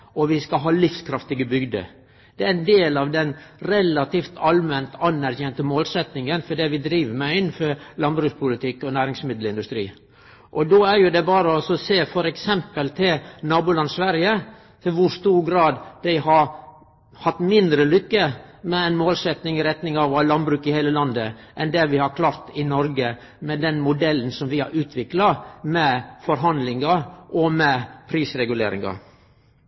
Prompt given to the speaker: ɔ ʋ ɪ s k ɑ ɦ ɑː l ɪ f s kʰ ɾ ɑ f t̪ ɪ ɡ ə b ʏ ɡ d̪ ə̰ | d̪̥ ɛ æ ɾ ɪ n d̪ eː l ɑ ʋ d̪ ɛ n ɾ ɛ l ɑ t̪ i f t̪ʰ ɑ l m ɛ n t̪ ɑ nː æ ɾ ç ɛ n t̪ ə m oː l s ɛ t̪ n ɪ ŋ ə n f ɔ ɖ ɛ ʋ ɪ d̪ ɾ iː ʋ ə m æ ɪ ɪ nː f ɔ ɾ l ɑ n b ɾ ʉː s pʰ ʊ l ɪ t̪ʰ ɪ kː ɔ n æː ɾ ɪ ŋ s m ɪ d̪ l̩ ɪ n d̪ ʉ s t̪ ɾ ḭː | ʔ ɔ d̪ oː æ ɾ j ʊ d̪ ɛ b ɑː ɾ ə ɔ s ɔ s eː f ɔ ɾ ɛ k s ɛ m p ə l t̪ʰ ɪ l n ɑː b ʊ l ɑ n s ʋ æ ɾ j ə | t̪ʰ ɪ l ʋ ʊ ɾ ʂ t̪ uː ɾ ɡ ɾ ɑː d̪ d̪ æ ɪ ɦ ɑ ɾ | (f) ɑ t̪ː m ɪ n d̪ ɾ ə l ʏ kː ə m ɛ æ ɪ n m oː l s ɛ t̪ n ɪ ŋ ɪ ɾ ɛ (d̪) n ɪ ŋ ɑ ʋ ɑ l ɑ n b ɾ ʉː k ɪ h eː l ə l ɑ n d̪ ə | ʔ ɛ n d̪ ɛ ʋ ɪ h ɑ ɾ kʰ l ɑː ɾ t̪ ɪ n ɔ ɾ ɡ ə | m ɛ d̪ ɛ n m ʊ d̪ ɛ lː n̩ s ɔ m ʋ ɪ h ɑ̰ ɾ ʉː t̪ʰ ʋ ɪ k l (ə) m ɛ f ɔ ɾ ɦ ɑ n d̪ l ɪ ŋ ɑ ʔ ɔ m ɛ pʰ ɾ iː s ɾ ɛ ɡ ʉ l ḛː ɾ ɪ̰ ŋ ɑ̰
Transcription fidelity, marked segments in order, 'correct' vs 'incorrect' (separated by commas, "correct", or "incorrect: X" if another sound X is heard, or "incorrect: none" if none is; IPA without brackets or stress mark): incorrect: h, incorrect: t̪, incorrect: ɑ